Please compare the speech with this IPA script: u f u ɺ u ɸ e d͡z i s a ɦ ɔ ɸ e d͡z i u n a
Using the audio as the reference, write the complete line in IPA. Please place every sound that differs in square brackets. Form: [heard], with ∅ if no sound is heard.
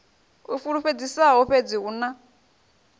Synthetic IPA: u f u ɺ u ɸ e d͡z i s a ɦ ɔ ɸ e d͡z i u n a